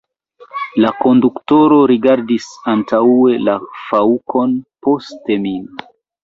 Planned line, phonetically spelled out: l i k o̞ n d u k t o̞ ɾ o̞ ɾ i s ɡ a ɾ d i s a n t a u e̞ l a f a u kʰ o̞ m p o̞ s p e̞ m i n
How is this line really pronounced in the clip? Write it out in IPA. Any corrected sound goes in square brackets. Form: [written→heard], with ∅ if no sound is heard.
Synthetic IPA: l [i→a] k o̞ n d u k t o̞ ɾ o̞ ɾ i [s→∅] ɡ a ɾ d i s a n t a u e̞ l a f a u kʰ o̞ [m→n] p o̞ s [p→t] e̞ m i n